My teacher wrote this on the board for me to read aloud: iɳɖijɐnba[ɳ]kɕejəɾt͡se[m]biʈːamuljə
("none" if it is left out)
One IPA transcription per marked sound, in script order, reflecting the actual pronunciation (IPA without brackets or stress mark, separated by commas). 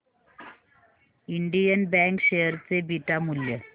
ŋ, none